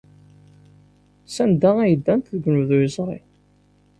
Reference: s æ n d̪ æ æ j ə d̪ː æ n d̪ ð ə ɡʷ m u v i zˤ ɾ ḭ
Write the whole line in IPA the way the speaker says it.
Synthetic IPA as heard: s æ n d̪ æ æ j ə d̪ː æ n t̪ ð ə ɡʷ n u ð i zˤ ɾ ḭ